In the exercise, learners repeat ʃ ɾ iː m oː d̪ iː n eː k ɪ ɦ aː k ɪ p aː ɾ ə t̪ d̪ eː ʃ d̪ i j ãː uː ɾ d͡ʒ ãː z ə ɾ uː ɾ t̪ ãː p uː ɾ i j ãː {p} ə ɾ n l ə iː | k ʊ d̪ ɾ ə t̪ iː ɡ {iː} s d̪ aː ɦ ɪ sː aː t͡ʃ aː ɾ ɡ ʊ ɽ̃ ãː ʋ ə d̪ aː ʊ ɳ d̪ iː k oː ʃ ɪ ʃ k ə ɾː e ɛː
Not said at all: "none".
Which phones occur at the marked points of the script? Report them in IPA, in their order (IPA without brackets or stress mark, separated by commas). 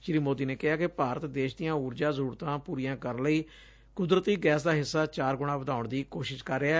k, ɛː